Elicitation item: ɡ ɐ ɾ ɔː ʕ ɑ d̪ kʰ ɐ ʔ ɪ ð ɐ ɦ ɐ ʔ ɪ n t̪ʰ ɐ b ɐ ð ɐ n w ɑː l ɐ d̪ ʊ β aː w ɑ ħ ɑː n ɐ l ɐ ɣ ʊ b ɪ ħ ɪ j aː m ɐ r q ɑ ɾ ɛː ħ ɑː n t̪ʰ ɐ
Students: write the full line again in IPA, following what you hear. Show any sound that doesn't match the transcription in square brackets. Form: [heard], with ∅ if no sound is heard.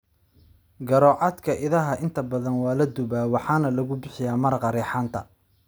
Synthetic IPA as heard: ɡ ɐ ɾ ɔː ʕ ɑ d̪ kʰ ɐ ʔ ɪ ð ɐ ɦ ɐ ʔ ɪ n t̪ʰ ɐ b ɐ ð ɐ n w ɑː l ɐ d̪ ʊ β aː w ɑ ħ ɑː n ɐ l ɐ ɣ ʊ b ɪ ħ ɪ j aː m ɐ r q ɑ ɾ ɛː ħ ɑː n t̪ʰ ɐ